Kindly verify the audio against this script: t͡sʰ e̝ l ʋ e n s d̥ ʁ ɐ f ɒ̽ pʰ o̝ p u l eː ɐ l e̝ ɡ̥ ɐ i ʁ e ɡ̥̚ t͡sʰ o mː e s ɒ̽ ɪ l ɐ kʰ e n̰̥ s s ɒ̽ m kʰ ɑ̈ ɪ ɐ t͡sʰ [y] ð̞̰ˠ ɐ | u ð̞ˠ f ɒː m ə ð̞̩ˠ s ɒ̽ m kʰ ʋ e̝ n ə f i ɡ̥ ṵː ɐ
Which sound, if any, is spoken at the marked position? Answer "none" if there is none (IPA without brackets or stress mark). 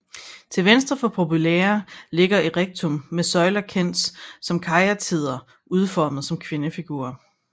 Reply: i